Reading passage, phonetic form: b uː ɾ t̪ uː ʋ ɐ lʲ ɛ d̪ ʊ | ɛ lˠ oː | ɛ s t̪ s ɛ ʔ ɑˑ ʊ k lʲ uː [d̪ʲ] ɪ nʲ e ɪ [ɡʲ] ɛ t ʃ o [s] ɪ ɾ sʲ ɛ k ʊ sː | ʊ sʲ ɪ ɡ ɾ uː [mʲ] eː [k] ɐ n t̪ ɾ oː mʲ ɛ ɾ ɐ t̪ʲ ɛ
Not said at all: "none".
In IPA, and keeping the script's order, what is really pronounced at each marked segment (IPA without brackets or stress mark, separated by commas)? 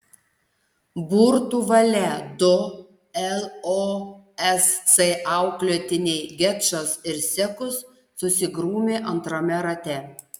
t̪ʲ, ɡʲ, s, mʲ, ʔ